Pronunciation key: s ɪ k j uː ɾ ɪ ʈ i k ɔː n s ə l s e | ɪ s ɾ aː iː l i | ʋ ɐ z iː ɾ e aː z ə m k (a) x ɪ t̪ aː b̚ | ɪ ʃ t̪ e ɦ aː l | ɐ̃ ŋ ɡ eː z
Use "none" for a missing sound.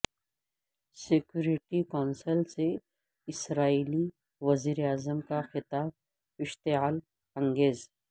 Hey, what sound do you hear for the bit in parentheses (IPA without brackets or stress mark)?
a